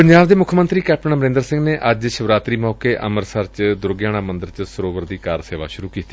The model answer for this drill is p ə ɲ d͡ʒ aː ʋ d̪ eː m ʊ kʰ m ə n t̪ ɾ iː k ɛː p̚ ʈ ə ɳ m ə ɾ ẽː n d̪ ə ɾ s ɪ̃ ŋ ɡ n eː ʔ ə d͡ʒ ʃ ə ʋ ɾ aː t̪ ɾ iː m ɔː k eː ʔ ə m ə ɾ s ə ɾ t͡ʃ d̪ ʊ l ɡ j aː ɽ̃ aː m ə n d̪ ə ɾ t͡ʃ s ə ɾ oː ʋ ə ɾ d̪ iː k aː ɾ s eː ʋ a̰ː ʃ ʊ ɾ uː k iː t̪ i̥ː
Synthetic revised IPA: p ə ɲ d͡ʒ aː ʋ d̪ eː m ʊ kʰ m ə n t̪ ɾ iː k ɛː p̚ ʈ ə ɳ m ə ɾ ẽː n d̪ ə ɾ s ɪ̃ ŋ ɡ n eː ʔ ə d͡ʒ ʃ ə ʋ ɾ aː t̪ ɾ iː m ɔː k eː ʔ ə m ə ɾ s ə ɾ t͡ʃ d̪ ʊ ɾ ɡ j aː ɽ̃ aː m ə n d̪ ə ɾ t͡ʃ s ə ɾ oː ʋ ə ɾ d̪ iː k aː ɾ s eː ʋ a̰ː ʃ ʊ ɾ uː k iː t̪ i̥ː